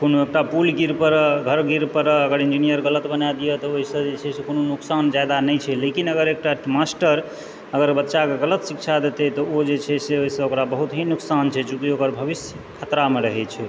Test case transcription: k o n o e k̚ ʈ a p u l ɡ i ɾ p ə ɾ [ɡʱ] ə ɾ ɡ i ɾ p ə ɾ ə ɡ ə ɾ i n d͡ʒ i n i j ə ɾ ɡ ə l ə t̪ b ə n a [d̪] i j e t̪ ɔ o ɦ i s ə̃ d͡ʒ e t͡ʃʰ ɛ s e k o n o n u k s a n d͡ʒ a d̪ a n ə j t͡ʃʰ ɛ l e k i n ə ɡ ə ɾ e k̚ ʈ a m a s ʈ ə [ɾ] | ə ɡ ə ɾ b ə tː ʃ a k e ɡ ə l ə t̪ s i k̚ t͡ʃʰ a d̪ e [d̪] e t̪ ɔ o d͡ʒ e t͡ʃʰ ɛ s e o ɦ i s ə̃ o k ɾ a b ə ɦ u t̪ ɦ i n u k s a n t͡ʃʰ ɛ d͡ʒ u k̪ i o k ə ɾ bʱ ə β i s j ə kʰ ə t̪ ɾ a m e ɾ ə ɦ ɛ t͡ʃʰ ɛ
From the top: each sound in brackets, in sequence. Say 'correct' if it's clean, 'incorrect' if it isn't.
correct, correct, correct, incorrect: t̪

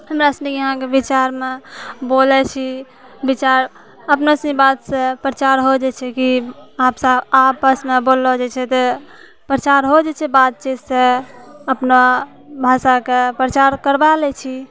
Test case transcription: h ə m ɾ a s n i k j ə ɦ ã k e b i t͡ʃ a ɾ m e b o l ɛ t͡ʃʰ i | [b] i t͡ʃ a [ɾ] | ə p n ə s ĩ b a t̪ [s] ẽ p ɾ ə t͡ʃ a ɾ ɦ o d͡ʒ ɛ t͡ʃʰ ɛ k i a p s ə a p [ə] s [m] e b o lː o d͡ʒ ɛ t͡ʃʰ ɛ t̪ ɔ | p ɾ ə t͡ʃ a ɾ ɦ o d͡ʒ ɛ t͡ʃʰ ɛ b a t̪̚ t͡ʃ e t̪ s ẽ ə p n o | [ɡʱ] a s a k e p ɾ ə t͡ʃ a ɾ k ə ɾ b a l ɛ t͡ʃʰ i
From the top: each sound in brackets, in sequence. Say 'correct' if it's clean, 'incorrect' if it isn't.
correct, correct, correct, correct, correct, incorrect: bʱ

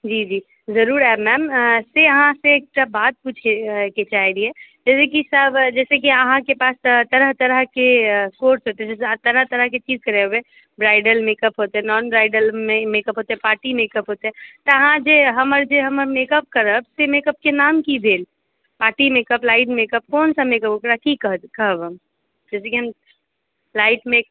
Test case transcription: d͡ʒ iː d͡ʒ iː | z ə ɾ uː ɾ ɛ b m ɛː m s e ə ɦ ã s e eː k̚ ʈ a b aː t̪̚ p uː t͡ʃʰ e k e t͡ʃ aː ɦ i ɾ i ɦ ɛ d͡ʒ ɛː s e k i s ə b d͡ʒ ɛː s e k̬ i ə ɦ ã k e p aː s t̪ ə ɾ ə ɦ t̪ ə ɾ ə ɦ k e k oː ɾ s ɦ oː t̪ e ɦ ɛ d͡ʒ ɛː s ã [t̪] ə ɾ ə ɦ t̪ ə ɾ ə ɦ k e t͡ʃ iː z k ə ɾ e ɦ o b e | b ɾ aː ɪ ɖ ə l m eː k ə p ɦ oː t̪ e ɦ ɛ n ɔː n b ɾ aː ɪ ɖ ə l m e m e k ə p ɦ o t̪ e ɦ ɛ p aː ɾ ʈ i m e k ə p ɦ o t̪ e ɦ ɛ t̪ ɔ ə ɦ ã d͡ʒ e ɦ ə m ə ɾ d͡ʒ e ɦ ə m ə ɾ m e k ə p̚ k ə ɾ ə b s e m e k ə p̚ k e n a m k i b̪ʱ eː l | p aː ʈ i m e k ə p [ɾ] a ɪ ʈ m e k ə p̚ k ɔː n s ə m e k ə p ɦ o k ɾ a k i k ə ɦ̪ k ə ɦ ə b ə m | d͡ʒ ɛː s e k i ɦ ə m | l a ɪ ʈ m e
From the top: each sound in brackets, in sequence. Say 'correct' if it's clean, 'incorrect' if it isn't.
correct, incorrect: l

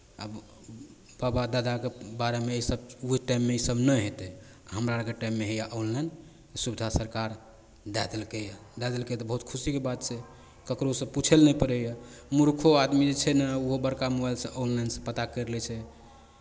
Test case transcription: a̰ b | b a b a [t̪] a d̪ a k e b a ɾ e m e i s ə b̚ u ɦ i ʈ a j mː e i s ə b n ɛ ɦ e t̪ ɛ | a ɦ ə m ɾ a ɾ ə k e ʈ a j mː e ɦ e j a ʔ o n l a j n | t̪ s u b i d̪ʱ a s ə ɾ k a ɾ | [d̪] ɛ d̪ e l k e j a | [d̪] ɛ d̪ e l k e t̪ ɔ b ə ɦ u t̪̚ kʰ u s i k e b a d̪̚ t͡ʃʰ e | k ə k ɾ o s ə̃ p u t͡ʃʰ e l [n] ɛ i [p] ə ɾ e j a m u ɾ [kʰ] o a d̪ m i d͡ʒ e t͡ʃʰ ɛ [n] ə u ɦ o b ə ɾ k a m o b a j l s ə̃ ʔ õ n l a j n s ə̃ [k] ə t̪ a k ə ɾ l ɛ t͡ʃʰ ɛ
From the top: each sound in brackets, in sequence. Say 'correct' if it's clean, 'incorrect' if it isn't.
incorrect: d̪, correct, correct, correct, correct, correct, correct, incorrect: p

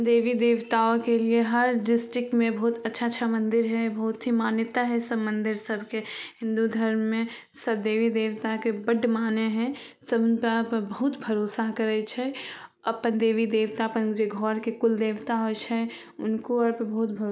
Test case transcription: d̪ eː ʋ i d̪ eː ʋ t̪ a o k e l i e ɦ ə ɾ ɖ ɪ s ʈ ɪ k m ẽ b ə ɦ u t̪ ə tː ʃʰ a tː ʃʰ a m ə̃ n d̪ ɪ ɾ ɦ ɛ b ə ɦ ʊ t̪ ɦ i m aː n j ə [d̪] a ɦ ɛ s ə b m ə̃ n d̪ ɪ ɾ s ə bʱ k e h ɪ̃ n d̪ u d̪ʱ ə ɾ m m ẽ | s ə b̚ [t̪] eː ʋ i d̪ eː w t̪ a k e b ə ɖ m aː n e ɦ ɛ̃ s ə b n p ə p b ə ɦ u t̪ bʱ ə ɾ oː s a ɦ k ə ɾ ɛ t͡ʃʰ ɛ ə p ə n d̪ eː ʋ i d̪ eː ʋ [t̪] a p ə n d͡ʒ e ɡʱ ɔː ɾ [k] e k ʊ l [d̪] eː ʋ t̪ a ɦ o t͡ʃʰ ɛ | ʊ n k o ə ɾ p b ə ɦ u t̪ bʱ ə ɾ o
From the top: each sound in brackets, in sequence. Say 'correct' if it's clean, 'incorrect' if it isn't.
incorrect: t̪, incorrect: d̪, correct, correct, correct

